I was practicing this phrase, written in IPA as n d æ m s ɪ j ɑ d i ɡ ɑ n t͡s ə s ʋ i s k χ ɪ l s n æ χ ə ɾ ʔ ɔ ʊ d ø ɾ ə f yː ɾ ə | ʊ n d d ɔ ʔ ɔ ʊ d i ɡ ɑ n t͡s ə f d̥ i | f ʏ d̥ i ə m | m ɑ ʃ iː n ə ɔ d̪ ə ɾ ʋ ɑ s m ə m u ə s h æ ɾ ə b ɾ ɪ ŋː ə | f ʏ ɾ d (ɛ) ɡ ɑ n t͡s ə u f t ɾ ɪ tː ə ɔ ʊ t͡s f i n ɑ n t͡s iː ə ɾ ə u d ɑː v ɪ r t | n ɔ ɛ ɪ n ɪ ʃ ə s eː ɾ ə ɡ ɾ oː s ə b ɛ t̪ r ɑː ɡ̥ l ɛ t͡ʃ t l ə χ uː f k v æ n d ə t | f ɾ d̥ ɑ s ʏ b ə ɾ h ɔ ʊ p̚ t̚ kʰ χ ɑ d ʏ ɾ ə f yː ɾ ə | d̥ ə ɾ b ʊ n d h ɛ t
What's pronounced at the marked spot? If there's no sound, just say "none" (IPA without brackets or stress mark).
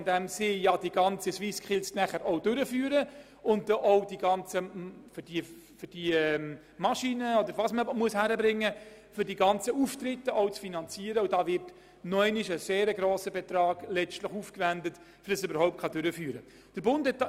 i